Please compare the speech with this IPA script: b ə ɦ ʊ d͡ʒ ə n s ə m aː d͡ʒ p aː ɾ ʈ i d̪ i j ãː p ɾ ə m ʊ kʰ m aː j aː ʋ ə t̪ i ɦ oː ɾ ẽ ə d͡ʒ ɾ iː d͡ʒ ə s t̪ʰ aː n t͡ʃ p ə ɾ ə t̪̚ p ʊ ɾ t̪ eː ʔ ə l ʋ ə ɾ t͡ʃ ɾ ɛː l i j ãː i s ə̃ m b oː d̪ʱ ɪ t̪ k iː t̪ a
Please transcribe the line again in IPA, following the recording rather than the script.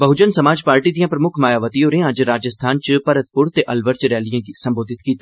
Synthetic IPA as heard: b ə ɦ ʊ d͡ʒ ə n s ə m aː d͡ʒ p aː ɾ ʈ i d̪ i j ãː p ɾ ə m ʊ kʰ m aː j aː ʋ ə t̪ i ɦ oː ɾ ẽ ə d͡ʒ ɾ aː d͡ʒ ə s t̪ʰ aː n t͡ʃ p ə ɾ ə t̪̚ p ʊ ɾ t̪ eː ʔ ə l ʋ ə ɾ t͡ʃ ɾ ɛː l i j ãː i s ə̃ m b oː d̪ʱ ɪ t̪ k iː t̪ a